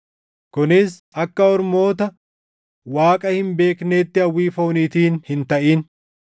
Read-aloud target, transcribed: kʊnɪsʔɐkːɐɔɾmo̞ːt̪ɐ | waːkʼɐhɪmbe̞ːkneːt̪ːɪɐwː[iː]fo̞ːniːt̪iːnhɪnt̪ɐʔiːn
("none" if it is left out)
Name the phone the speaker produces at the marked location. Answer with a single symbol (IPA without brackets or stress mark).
iː